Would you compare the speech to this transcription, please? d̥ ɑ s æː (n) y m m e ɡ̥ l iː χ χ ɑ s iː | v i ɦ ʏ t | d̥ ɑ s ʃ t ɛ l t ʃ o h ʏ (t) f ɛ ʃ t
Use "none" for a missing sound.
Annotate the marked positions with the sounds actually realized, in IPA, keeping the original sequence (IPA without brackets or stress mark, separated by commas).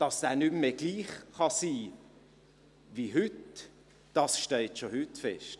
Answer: n, t